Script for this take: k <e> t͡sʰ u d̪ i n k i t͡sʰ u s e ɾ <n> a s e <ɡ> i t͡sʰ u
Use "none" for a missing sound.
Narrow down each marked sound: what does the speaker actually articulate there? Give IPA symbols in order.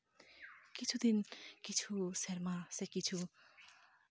i, m, k

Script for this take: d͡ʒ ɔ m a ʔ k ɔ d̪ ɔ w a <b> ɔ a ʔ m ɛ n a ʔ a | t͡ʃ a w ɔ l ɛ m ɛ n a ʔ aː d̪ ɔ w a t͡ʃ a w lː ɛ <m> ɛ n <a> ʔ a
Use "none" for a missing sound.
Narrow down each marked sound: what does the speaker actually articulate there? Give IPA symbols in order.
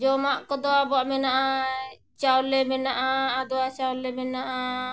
b, m, a

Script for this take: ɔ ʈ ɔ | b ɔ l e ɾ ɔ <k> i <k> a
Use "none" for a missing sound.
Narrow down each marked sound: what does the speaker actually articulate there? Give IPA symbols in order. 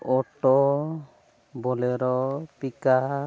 p, k

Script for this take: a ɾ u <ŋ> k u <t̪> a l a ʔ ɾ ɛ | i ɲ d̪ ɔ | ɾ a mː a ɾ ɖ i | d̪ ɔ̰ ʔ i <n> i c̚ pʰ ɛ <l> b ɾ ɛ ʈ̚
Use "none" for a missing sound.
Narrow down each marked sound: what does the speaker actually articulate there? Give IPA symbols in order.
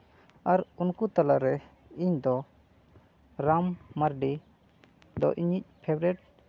n, t̪, ɲ, none

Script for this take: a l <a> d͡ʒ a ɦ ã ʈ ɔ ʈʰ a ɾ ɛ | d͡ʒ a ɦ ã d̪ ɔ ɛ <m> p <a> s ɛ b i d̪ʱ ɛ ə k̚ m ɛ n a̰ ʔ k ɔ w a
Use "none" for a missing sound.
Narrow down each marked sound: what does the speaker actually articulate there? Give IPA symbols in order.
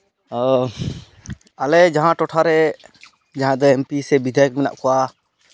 ɛ, m, i

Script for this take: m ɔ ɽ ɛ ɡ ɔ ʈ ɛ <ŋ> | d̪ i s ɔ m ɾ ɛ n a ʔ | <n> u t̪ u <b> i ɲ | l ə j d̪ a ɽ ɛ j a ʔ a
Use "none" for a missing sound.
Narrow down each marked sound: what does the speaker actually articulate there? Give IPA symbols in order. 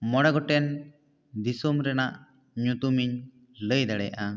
n, ɲ, m

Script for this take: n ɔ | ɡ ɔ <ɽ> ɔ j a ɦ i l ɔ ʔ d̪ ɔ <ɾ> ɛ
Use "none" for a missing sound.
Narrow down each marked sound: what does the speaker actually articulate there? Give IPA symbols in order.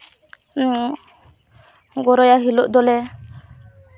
ɾ, l

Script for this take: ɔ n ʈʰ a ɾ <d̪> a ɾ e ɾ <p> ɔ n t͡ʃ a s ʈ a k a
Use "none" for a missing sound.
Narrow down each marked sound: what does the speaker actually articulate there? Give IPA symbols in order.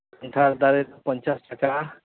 d̪, p

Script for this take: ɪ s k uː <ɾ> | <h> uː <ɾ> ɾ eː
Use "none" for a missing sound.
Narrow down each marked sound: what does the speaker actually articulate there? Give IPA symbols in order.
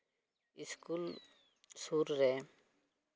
l, s, ɾ

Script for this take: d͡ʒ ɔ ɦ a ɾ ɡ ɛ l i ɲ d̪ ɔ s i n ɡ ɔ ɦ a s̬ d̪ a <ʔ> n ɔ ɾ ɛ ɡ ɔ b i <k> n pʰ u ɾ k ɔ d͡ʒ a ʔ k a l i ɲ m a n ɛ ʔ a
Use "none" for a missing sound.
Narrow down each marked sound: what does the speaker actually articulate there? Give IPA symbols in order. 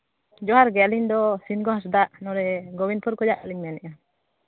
ʔ, none

